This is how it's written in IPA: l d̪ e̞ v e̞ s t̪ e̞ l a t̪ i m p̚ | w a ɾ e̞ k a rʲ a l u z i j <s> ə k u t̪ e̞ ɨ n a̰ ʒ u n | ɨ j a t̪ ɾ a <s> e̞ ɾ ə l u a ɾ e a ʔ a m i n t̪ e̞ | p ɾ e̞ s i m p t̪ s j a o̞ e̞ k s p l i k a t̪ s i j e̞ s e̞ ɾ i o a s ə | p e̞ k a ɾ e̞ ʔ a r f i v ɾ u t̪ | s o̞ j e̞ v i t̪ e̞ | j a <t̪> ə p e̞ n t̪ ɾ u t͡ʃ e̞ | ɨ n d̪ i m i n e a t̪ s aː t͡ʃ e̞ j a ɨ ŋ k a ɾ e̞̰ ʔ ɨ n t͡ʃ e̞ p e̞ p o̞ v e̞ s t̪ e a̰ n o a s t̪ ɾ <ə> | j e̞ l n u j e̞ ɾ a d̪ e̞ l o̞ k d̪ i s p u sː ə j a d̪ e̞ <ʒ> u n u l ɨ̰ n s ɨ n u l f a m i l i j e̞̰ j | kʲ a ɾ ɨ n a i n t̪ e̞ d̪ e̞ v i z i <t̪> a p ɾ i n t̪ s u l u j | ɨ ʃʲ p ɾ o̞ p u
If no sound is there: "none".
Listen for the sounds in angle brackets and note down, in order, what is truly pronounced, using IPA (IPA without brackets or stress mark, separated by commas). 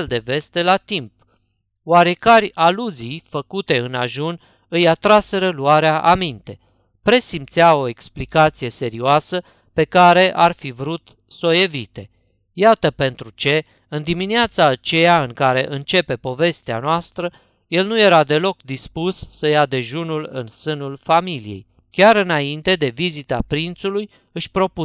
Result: f, s, t̪, ə, ʒ, t̪